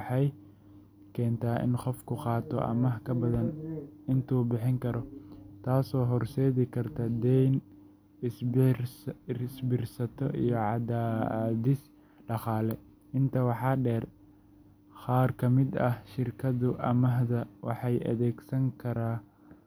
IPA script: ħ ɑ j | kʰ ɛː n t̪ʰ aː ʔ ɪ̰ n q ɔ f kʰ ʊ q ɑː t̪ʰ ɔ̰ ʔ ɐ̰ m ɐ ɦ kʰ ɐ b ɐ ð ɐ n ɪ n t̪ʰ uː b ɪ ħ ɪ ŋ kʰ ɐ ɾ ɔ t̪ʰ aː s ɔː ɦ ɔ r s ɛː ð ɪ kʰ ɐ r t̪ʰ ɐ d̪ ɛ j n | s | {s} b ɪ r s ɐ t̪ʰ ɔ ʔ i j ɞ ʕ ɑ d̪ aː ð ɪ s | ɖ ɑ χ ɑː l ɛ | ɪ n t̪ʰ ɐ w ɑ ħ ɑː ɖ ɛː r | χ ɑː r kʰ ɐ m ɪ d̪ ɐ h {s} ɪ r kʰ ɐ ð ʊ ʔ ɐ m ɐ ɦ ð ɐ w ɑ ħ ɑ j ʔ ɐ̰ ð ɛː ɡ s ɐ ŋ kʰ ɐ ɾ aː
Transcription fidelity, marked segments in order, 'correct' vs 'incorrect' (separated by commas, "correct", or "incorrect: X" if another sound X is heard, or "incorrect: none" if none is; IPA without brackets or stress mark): correct, incorrect: ʃ